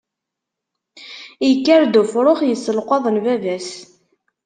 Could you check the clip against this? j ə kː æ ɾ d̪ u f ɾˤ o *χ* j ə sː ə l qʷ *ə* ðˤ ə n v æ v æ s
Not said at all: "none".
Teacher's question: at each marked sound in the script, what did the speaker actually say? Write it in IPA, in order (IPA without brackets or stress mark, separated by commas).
χ, ɑ